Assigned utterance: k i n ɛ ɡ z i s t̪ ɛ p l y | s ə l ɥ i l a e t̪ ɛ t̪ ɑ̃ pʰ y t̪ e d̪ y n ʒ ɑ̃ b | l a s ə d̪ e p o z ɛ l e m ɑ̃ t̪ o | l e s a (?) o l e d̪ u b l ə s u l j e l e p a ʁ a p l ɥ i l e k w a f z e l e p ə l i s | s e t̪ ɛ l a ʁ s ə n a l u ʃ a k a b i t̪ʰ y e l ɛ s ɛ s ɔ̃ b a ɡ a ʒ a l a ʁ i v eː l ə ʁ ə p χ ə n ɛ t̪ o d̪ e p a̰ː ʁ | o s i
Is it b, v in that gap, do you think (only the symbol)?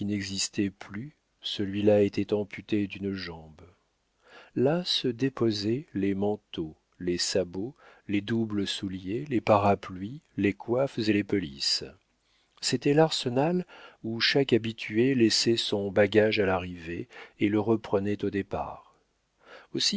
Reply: b